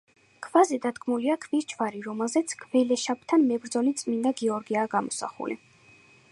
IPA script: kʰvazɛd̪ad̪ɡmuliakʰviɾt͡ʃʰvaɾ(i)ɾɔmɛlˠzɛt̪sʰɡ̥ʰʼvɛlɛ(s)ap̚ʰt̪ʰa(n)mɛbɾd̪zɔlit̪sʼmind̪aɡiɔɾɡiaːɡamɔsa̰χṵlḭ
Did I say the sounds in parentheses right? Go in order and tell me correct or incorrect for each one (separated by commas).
correct, incorrect, correct